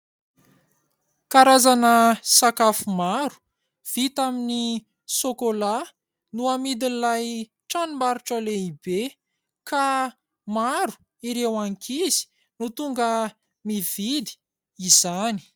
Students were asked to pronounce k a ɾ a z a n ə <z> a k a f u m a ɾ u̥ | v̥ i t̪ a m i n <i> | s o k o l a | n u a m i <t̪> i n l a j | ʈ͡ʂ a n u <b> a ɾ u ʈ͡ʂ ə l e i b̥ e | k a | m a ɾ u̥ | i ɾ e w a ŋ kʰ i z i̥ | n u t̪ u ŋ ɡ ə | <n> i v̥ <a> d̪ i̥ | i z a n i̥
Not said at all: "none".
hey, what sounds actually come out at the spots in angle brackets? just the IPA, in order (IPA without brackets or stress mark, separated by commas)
s, i, d̪, m, m, i